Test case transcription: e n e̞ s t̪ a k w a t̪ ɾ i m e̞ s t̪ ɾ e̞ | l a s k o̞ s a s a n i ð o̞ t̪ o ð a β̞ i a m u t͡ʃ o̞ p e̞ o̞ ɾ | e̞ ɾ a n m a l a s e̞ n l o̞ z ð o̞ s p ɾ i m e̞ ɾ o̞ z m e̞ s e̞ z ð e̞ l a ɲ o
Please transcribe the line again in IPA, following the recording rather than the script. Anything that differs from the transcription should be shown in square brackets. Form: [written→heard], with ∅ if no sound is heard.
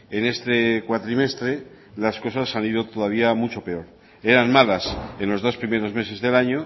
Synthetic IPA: e n e̞ s t̪ [a→e] k w a t̪ ɾ i m e̞ s t̪ ɾ e̞ | l a s k o̞ s a s a n i ð o̞ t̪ o ð a β̞ i a m u t͡ʃ o̞ p e̞ o̞ ɾ | e̞ ɾ a n m a l a s e̞ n l o̞ z ð o̞ s p ɾ i m e̞ ɾ o̞ z m e̞ s e̞ z ð e̞ l a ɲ o